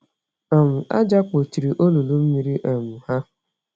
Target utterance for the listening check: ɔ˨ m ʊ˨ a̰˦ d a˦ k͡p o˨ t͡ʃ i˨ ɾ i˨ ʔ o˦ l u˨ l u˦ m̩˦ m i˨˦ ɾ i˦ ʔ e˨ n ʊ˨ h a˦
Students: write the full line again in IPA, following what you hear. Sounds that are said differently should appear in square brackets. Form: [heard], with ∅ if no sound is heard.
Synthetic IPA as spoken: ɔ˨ m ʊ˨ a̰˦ [d͡ʒ] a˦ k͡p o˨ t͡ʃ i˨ ɾ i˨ ʔ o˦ l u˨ l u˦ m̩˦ m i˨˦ ɾ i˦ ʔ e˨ [m] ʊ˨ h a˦